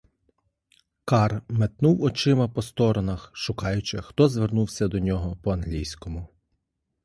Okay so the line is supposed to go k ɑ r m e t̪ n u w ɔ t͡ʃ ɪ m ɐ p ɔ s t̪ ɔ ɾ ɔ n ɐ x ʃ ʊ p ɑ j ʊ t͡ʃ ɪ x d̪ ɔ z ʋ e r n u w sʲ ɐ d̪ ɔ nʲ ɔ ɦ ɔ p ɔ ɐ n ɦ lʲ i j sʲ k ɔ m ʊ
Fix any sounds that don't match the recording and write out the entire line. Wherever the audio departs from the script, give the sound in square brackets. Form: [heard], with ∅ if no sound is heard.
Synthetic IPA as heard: k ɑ r m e t̪ n u w ɔ t͡ʃ ɪ m ɐ p ɔ s t̪ ɔ ɾ ɔ n ɐ x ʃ ʊ [k] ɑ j ʊ t͡ʃ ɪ x [t̪] ɔ z ʋ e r n u w sʲ ɐ d̪ ɔ nʲ ɔ ɦ ɔ p ɔ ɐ n ɦ lʲ i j sʲ k ɔ m ʊ